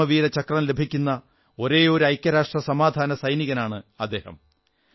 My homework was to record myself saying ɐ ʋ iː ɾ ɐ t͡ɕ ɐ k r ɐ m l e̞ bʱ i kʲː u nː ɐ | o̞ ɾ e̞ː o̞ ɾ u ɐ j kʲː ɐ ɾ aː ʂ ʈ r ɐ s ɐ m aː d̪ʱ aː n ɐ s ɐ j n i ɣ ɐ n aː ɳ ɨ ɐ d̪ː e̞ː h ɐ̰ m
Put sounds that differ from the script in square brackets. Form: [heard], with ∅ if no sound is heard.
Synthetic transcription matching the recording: ɐ ʋ iː ɾ ɐ t͡ɕ ɐ k r ɐ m l e̞ bʱ i kʲː u nː ɐ | o̞ ɾ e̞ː o̞ ɾ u ɐ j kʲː ɐ ɾ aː ʂ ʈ r ɐ s ɐ m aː d̪ʱ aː n ɐ s ɐ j n i ɣ ɐ n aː ɳ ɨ ɐ d̪ː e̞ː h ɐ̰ m